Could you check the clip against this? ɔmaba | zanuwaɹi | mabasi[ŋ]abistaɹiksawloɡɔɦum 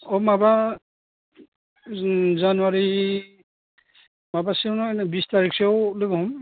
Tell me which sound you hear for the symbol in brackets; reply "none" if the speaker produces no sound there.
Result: n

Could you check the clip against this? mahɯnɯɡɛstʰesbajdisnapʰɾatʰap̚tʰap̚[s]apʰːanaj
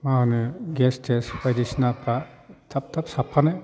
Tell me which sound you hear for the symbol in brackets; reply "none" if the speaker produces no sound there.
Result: s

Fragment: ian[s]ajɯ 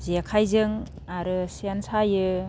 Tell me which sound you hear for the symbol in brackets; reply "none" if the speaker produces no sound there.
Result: s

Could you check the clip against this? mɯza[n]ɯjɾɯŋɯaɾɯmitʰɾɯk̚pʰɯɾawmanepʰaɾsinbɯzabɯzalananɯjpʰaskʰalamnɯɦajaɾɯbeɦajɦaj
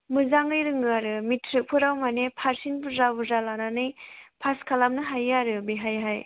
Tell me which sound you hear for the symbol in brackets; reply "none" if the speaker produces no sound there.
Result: ŋ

